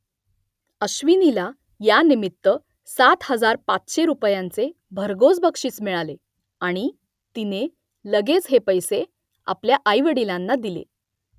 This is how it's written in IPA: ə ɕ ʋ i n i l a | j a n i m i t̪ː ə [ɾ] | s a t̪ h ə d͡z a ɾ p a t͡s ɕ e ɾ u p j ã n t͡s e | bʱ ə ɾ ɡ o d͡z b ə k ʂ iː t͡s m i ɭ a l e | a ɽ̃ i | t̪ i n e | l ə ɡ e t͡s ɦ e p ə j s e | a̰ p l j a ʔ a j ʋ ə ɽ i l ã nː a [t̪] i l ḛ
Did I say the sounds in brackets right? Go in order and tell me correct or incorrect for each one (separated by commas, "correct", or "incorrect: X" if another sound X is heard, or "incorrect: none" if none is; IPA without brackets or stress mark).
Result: incorrect: none, incorrect: d̪